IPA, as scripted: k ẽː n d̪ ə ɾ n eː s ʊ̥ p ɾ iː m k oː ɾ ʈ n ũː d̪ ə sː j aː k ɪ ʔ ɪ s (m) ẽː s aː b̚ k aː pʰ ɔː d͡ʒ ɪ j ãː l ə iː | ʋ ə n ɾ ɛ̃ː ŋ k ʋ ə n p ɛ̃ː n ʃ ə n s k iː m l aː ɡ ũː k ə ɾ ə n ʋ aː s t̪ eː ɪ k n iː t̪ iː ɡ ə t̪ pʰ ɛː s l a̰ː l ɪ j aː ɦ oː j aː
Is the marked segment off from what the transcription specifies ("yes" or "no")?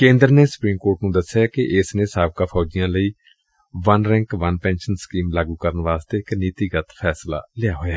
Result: yes